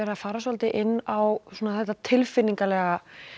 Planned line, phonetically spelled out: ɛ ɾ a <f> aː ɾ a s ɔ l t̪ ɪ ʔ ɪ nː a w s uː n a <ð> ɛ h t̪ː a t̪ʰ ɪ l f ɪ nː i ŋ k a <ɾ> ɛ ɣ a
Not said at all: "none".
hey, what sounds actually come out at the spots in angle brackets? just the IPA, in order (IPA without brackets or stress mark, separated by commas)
f, θ, l